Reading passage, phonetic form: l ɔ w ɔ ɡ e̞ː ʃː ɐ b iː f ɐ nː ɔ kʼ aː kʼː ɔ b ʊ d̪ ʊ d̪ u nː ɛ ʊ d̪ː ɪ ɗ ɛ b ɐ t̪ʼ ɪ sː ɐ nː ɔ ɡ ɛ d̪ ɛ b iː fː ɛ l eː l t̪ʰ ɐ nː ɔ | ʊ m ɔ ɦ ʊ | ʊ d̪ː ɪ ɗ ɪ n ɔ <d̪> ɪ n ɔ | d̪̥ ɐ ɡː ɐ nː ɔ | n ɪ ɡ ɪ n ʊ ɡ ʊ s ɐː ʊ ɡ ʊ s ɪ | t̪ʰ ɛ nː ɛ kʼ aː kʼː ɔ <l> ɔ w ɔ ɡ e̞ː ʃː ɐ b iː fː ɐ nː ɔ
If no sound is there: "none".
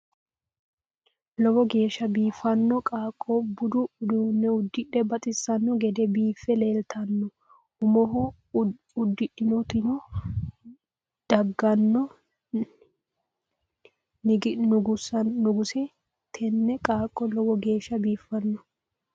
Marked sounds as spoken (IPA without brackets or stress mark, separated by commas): t̪, l